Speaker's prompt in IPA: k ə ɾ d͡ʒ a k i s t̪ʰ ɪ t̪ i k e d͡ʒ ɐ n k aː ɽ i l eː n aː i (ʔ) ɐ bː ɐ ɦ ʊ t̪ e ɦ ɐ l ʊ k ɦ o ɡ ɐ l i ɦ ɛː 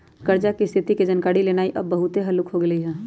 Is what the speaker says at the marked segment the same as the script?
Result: yes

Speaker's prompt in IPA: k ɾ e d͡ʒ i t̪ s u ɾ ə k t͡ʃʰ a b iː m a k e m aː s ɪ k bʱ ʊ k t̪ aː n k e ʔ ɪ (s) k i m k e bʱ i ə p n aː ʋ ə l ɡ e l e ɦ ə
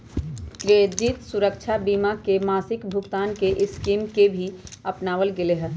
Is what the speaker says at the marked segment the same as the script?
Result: yes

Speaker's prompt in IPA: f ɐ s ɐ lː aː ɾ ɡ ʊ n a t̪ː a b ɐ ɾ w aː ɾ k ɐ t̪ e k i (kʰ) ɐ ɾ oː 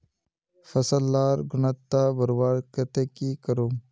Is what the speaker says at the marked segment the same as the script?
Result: no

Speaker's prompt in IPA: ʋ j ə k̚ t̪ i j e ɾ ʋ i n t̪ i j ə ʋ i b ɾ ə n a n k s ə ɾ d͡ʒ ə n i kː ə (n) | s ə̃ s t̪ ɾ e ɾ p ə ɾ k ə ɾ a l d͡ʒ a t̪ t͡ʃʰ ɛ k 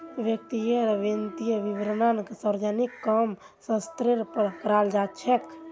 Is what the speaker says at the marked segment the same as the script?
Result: no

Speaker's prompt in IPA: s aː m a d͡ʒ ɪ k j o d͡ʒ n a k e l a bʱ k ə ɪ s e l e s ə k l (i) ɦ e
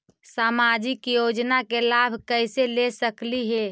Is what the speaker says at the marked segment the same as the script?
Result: yes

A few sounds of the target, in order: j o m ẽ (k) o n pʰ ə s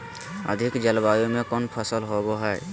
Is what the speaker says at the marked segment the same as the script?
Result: yes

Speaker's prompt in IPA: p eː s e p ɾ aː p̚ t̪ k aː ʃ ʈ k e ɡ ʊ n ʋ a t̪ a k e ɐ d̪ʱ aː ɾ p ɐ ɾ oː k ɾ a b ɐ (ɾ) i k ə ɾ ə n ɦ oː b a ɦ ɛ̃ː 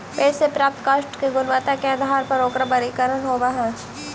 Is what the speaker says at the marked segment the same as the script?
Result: yes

